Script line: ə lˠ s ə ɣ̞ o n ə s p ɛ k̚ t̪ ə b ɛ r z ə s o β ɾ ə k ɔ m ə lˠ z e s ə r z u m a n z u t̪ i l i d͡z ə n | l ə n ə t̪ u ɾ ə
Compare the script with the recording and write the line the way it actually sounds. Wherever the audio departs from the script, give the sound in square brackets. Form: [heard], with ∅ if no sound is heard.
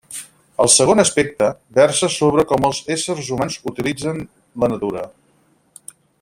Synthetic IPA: ə lˠ s ə ɣ̞ o n ə s p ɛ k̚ t̪ ə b ɛ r [s] ə s o β ɾ ə k ɔ m ə lˠ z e s ə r z u m a n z u t̪ i l i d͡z ə n | l ə n ə t̪ u ɾ ə